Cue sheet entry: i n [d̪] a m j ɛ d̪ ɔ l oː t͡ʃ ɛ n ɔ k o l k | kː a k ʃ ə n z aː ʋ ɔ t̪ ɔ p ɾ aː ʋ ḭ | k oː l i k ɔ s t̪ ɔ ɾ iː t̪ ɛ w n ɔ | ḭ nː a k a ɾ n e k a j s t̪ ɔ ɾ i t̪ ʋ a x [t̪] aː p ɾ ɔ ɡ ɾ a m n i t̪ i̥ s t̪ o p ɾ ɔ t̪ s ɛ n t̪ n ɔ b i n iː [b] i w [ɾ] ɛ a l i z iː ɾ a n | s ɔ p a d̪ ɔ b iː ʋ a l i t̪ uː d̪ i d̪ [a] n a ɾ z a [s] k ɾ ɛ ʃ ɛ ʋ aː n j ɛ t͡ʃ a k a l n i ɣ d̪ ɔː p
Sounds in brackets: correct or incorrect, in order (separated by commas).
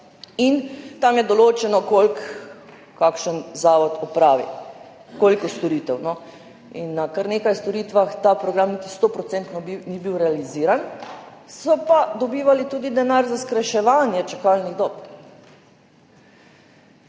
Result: incorrect, correct, correct, correct, incorrect, correct